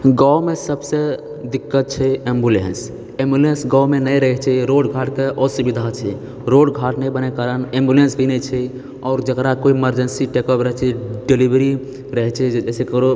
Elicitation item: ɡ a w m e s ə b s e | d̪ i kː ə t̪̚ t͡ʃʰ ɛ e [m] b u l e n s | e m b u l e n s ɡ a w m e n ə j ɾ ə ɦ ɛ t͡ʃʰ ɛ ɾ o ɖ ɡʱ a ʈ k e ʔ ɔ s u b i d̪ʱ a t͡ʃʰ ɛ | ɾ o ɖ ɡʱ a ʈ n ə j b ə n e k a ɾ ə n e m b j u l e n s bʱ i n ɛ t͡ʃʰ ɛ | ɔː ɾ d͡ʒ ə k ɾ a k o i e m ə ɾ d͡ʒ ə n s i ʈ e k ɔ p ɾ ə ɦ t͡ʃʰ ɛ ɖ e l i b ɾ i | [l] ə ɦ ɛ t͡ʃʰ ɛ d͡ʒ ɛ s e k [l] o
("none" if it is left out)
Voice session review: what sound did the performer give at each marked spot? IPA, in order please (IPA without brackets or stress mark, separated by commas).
m, ɾ, ɾ